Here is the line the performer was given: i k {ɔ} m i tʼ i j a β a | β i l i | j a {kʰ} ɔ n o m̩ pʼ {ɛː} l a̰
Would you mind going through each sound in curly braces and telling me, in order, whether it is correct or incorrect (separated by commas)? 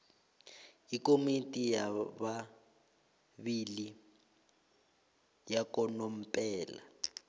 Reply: incorrect, incorrect, correct